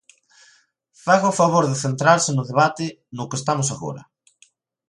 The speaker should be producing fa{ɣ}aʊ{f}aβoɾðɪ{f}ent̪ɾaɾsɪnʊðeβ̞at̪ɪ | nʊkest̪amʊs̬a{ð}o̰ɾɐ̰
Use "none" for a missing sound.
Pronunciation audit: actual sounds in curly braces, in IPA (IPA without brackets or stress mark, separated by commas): ɣ, f, θ, ɣ